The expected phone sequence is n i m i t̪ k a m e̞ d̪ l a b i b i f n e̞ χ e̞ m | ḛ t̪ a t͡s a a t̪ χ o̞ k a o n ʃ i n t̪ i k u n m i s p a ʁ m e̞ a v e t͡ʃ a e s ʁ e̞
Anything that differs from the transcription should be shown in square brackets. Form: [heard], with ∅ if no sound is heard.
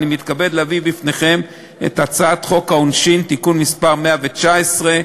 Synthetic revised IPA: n i m i t̪ k a [b] e̞ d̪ l a [v] i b i f n e̞ χ e̞ m | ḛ t̪ a t͡s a a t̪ χ o̞ k a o n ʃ i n t̪ i k u n m i s p a ʁ m e̞ a v e t͡ʃ a e s ʁ e̞